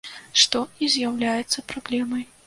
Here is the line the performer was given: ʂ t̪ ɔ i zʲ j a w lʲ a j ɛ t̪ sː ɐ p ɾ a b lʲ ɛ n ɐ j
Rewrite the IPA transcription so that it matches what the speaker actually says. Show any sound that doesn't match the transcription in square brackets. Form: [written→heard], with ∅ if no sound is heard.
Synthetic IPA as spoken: ʂ t̪ ɔ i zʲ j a w lʲ a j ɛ t̪ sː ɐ p ɾ a b lʲ ɛ [n→m] ɐ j

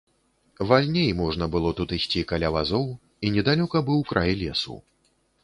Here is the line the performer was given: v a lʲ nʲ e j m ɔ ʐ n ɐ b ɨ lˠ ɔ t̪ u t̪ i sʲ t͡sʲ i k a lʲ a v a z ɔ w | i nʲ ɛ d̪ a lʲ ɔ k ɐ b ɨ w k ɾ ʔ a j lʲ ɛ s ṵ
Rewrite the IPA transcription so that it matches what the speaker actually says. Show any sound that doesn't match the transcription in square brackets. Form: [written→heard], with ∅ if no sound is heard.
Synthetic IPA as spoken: v a lʲ nʲ e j m ɔ ʐ n ɐ b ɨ lˠ ɔ t̪ u t̪ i sʲ t͡sʲ i k a lʲ a v a z ɔ w | i nʲ ɛ d̪ a lʲ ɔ k ɐ b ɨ w k ɾ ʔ a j lʲ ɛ s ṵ

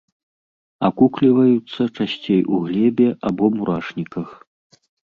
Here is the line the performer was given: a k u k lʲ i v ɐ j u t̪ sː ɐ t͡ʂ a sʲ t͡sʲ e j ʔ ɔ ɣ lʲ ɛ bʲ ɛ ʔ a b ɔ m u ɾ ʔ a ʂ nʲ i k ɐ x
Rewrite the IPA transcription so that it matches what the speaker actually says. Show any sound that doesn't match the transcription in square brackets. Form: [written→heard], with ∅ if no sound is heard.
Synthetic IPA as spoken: a k u k lʲ i v ɐ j u t̪ sː ɐ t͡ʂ a sʲ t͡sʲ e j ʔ [ɔ→u] ɣ lʲ ɛ bʲ ɛ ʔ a b ɔ m u ɾ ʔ a ʂ nʲ i k ɐ x

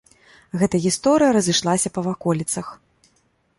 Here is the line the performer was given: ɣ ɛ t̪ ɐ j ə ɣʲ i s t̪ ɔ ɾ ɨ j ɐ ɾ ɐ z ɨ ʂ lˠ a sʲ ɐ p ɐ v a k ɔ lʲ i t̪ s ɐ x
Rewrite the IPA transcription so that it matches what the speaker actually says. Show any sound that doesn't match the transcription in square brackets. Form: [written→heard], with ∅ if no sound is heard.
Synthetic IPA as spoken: ɣ ɛ t̪ ɐ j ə ɣʲ i s t̪ ɔ ɾ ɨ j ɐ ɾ ɐ z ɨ ʂ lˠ a sʲ ɐ p ɐ v a k ɔ lʲ i t̪ s ɐ x

